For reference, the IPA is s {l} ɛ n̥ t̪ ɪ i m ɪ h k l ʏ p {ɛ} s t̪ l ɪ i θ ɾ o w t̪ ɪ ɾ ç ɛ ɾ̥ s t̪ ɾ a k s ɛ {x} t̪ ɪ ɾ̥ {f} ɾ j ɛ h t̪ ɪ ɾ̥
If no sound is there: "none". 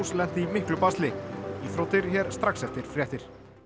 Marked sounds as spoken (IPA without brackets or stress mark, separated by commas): l, a, f, f